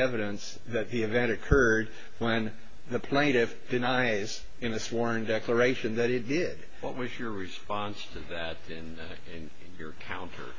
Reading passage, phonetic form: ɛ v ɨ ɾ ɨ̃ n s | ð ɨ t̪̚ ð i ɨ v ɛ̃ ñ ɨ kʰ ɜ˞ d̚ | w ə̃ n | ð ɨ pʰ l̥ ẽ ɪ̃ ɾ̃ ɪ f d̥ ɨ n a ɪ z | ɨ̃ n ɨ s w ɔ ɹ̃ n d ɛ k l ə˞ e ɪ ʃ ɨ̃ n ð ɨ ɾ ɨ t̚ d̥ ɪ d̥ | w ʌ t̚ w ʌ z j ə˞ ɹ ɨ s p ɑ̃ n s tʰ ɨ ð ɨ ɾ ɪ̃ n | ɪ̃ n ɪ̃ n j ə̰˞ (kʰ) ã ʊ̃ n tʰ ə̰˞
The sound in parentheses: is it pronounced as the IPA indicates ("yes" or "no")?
yes